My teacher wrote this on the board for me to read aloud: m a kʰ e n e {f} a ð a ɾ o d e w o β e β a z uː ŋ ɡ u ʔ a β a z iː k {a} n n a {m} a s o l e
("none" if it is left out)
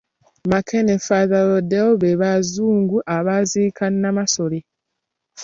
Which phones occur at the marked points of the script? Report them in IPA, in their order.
f, a, m

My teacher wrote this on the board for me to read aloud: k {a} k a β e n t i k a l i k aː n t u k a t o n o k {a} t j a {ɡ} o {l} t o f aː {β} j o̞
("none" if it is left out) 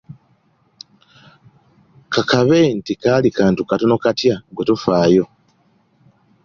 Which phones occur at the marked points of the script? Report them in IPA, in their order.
a, a, ɡ, none, none

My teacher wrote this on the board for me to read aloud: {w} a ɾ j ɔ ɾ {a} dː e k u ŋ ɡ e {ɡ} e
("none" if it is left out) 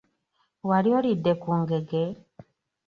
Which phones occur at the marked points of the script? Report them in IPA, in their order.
w, i, ɡ

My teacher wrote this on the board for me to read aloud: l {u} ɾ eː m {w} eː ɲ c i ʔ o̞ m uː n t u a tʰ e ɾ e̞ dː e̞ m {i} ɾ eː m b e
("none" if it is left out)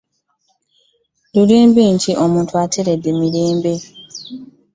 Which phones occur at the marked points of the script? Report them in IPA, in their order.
u, b, i

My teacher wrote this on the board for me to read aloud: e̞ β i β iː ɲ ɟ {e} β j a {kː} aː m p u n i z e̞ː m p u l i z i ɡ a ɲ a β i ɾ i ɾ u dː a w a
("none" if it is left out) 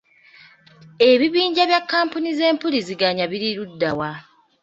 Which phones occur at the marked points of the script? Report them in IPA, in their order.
a, kː

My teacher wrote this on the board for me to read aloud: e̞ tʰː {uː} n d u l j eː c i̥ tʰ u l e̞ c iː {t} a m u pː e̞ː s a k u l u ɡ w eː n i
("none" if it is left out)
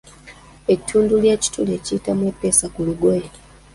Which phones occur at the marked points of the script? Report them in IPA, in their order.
uː, t

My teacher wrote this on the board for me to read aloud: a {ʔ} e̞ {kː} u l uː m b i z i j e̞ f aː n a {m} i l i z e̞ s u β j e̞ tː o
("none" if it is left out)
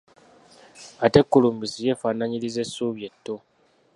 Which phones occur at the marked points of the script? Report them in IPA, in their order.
t, kː, ɲ

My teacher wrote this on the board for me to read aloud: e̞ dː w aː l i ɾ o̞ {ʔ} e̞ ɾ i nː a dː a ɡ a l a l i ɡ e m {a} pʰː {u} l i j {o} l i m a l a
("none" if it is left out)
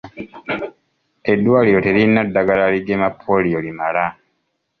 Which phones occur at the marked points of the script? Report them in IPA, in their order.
t, a, o, o

